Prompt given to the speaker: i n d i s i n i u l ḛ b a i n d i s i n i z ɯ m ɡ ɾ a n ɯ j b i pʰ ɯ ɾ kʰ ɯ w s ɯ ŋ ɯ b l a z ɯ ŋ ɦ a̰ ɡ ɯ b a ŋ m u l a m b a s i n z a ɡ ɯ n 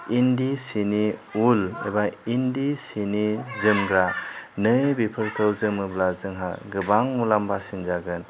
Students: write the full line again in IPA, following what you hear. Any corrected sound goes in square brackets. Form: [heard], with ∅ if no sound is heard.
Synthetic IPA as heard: i n d i s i n i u l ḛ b a i n d i s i n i z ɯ m ɡ ɾ a n ɯ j b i pʰ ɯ ɾ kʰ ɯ w [z] ɯ [m] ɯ b l a z ɯ ŋ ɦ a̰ ɡ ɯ b a ŋ m u l a m b a s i n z a ɡ ɯ n